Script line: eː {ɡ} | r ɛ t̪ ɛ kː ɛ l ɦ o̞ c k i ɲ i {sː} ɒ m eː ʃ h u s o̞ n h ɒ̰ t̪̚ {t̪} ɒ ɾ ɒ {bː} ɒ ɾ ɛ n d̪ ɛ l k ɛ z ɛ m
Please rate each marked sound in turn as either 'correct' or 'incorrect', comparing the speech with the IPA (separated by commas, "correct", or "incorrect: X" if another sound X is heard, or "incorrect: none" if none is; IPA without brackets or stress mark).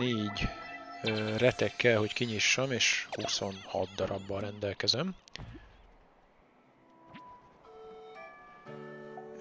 incorrect: ɟ, incorrect: ʃː, incorrect: d̪, correct